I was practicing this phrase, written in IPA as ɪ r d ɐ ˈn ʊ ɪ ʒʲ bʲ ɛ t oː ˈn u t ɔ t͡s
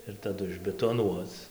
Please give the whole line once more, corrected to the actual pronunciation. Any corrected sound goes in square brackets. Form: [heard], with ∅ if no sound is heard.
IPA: ɪ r [t] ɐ [ˈd] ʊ ɪ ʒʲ bʲ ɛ t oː ˈn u [∅] ɔ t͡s